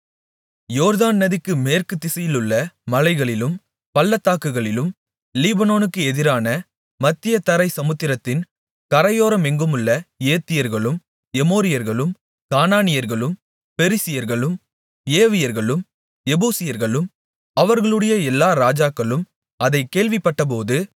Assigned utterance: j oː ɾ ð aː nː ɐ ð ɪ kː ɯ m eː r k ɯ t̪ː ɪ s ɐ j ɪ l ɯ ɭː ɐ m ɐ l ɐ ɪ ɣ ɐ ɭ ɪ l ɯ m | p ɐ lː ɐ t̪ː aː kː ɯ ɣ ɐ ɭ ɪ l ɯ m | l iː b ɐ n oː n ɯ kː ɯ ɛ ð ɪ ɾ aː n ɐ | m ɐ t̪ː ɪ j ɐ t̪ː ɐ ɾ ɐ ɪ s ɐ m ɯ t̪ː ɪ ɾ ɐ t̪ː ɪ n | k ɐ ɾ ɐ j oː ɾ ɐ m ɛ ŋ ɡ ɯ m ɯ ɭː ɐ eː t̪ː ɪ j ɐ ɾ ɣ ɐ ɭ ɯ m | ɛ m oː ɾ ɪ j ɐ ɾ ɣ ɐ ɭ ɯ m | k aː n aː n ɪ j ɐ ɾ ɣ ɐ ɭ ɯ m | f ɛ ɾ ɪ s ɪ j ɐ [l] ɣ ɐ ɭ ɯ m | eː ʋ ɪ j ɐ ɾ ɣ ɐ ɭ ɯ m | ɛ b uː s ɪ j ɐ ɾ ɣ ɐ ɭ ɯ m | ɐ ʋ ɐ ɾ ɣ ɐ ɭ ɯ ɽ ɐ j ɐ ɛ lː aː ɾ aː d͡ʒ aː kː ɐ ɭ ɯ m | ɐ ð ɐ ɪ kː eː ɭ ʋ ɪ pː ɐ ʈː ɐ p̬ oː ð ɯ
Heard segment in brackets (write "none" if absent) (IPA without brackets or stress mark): ɾ